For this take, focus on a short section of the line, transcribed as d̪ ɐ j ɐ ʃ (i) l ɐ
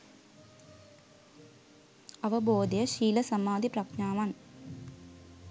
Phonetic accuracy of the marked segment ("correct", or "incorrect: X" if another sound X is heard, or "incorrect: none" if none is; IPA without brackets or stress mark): incorrect: iː